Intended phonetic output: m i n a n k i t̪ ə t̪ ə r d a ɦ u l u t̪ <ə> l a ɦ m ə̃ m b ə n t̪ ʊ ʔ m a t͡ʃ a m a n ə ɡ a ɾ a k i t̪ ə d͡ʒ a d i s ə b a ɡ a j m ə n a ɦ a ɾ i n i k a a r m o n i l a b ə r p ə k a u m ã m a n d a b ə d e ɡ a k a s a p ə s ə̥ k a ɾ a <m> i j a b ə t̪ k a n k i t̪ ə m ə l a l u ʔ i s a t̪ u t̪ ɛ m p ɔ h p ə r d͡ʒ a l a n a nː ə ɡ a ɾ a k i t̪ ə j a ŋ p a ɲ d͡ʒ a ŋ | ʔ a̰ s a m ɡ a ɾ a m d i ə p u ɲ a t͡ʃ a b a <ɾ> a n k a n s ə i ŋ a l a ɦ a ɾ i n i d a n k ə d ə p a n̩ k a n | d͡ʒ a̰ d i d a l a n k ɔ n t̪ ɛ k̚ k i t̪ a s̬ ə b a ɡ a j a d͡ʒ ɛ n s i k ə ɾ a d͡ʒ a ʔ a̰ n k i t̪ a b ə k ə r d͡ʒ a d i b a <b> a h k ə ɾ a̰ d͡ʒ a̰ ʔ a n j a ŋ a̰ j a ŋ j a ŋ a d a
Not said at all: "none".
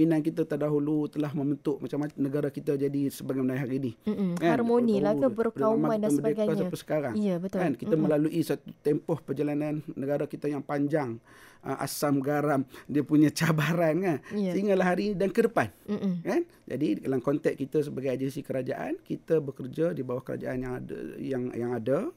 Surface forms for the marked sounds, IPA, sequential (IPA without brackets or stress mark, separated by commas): ə, ŋ, ɾ, w